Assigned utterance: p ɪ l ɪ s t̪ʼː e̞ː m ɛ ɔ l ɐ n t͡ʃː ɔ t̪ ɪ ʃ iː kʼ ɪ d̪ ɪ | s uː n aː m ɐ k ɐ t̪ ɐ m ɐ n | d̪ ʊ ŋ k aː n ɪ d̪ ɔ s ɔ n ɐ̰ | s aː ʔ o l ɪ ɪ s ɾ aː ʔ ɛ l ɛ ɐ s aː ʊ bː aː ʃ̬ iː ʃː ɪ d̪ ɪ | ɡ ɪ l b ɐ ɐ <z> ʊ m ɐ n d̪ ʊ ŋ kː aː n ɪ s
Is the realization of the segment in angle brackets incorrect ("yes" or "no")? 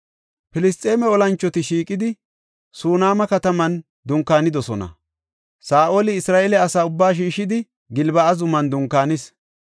no